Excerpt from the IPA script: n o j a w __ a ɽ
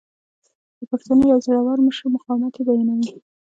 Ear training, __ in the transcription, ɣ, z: z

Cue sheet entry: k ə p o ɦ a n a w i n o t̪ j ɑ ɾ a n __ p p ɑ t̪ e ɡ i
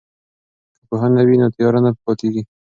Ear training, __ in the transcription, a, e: a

